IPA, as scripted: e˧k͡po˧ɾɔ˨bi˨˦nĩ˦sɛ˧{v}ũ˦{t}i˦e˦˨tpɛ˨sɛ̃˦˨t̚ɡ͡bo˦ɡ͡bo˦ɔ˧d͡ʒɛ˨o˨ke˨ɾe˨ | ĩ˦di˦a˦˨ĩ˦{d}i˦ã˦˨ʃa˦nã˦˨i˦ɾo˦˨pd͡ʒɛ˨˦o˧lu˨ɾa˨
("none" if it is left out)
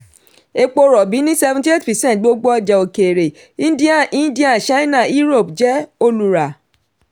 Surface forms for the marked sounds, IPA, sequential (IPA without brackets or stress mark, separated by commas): v, t, d